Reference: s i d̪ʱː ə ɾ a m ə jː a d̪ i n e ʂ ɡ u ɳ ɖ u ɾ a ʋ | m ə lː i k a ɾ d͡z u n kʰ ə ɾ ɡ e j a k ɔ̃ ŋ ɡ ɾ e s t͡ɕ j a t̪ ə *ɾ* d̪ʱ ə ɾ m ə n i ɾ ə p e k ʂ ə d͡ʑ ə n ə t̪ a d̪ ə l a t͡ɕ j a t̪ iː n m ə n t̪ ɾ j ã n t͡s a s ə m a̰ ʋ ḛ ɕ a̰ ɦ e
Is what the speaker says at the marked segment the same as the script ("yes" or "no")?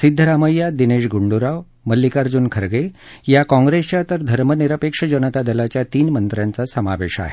yes